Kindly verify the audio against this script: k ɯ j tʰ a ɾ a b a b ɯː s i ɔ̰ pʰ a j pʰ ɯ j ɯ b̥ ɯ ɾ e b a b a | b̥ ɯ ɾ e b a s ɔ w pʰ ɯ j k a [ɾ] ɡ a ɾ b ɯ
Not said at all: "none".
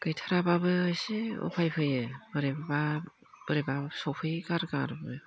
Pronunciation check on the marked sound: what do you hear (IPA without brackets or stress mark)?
ɾ